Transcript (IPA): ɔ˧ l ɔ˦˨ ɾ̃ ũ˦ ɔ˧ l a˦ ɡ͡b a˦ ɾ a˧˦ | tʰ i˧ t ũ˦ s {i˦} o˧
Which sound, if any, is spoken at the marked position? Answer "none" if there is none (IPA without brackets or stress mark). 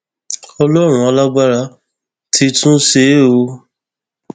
e˦